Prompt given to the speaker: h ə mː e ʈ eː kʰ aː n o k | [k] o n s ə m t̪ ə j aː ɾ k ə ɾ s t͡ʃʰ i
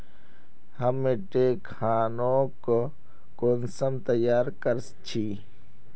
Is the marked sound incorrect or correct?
correct